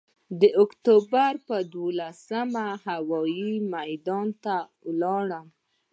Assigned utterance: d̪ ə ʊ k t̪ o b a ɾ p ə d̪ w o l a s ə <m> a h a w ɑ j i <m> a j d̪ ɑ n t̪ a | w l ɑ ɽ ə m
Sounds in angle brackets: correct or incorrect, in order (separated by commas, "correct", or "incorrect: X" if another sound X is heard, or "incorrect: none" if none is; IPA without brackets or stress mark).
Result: correct, correct